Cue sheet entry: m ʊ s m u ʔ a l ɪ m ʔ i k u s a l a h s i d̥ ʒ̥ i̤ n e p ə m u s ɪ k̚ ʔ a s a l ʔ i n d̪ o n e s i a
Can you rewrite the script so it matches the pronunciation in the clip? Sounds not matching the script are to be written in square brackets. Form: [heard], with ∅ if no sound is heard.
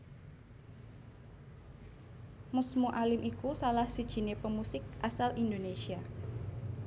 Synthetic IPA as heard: m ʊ s m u ʔ a l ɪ m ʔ i k u s a l a h s i d̥ ʒ̥ i̤ n e p ə m u s ɪ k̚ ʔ a s a l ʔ i n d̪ o n e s i a